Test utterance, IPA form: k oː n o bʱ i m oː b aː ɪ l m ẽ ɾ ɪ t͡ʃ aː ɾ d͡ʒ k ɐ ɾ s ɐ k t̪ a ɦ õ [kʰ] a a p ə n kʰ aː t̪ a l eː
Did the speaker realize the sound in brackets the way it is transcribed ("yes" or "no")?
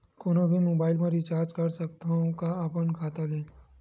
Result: no